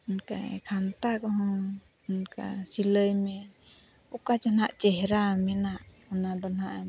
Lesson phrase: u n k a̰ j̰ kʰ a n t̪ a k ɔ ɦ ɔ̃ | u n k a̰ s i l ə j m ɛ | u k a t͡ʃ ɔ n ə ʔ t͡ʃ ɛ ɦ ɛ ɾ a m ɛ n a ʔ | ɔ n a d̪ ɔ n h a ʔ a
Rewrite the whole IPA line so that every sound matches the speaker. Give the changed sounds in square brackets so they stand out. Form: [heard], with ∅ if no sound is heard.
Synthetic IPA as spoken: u n k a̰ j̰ kʰ a n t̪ a k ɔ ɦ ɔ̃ | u n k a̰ s i l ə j m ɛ | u k a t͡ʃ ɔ n [a] ʔ t͡ʃ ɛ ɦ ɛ ɾ a m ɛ n a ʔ | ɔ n a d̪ ɔ n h a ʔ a